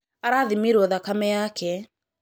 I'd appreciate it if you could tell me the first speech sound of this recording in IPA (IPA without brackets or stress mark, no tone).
a